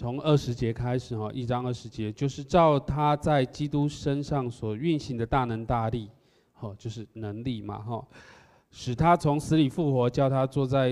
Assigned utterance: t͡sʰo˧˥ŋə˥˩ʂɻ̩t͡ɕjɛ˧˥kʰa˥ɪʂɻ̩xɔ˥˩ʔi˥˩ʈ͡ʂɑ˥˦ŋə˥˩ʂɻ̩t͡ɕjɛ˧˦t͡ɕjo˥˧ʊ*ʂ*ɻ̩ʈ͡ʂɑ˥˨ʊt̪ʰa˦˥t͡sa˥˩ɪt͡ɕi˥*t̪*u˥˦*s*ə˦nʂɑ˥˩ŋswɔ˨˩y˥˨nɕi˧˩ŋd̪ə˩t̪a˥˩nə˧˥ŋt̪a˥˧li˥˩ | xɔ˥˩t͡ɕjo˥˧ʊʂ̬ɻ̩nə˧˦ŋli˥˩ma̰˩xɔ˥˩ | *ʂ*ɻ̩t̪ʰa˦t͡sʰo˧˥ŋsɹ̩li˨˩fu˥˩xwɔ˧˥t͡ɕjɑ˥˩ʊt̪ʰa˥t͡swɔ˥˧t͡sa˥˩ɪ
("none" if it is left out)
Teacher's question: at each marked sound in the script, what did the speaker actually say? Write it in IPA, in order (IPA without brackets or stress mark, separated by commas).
ʂ, t̪, ʂ, ʂ